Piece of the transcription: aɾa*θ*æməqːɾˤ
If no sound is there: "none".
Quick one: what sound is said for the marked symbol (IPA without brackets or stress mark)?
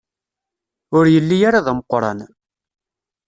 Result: ð